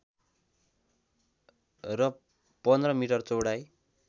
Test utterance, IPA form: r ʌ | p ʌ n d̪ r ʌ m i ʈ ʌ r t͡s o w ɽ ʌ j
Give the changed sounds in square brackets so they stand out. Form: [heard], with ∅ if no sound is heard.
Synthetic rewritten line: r ʌ | p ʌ n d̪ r ʌ m i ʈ ʌ r t͡s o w ɽ [a] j